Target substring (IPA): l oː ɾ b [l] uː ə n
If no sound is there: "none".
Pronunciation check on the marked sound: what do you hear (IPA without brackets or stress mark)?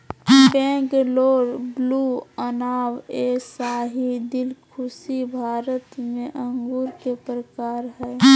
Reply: l